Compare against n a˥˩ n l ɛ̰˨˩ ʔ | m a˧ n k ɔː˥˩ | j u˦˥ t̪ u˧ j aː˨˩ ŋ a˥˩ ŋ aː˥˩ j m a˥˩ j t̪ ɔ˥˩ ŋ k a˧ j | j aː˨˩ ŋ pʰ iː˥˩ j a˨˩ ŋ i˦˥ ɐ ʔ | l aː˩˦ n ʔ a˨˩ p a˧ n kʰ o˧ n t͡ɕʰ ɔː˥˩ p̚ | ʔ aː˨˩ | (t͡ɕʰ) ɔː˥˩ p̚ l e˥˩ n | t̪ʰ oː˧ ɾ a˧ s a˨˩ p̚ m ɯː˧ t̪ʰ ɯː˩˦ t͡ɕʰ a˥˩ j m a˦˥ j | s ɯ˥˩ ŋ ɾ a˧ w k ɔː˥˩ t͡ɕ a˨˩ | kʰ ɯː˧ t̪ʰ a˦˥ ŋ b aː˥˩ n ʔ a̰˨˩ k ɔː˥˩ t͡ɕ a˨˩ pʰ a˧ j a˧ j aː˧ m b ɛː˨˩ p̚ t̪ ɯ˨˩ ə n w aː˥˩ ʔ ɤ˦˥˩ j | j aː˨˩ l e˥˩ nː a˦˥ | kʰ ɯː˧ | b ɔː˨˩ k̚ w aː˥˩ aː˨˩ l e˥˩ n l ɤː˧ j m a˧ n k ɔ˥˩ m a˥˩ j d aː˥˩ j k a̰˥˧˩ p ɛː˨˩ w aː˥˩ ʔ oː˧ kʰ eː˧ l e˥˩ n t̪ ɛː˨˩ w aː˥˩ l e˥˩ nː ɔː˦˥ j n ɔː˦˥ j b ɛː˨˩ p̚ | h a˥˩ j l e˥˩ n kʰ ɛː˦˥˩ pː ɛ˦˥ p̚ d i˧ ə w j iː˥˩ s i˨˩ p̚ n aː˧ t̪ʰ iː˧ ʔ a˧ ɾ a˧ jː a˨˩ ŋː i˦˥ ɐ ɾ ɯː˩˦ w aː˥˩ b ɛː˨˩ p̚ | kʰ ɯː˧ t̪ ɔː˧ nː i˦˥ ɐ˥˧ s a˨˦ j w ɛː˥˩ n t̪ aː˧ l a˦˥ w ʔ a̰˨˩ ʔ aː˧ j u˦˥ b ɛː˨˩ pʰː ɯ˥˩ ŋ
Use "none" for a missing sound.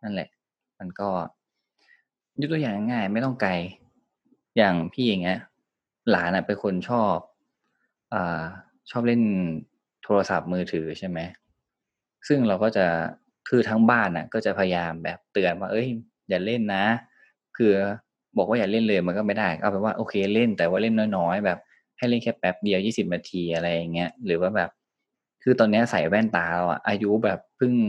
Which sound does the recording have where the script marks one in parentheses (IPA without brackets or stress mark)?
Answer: t͡ɕʰ